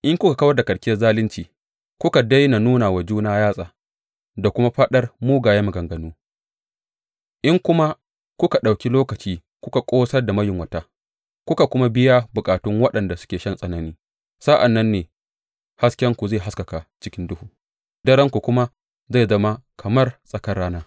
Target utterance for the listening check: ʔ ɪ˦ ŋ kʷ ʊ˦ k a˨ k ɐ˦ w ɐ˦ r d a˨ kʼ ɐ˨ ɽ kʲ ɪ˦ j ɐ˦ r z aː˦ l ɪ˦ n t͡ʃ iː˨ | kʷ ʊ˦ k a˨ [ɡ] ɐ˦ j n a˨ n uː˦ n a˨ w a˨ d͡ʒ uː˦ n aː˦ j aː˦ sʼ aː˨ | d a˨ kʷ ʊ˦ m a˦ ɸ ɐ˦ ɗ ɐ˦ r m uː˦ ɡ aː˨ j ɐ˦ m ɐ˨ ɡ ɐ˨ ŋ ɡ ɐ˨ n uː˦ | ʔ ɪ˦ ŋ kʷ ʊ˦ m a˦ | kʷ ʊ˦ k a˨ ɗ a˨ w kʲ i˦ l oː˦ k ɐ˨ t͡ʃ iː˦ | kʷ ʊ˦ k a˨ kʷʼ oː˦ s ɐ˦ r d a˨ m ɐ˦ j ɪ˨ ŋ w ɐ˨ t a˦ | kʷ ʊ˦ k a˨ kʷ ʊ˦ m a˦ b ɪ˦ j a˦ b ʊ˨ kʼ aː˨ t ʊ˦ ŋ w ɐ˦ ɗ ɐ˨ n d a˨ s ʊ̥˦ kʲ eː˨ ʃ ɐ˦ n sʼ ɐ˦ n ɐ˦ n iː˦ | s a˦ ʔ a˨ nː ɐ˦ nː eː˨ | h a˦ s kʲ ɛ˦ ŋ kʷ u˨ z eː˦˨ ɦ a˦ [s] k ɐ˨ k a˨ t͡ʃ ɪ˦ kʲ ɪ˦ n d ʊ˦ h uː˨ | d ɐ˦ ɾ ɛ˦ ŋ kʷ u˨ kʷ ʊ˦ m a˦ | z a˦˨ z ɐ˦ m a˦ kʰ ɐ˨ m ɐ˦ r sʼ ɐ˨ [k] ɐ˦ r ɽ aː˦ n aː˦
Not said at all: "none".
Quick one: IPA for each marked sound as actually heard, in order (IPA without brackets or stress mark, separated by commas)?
d, s, k